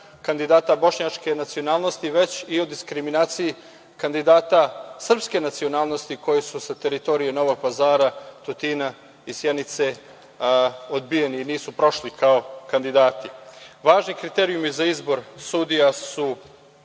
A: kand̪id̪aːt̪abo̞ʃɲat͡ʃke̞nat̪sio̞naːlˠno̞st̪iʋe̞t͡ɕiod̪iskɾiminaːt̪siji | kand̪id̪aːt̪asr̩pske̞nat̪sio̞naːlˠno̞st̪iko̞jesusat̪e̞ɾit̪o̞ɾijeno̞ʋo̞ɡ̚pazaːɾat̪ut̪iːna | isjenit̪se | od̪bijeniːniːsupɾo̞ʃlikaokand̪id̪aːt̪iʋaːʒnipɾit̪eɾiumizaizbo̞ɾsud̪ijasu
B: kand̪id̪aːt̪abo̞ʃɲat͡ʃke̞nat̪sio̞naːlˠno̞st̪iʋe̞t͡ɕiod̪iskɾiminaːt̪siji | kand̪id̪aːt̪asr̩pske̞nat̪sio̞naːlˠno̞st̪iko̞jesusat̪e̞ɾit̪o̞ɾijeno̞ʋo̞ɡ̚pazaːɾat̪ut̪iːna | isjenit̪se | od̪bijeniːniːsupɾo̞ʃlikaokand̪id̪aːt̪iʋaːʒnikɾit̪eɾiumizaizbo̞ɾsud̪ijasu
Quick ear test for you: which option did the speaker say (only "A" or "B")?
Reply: B